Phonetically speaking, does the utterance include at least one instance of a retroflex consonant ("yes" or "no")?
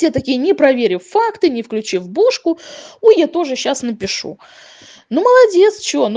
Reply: yes